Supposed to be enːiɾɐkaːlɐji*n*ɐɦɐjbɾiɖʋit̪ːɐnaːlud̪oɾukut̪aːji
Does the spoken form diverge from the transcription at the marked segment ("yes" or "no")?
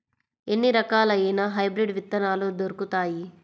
no